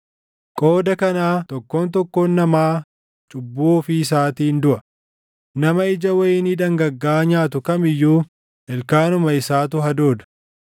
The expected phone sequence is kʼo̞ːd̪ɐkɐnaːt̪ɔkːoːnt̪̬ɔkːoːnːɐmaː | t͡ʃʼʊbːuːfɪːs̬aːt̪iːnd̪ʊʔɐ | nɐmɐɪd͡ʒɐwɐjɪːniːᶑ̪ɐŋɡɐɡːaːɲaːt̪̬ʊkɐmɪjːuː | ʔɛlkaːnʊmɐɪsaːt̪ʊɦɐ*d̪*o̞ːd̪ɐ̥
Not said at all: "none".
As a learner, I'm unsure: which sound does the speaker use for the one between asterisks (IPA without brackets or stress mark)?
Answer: d̪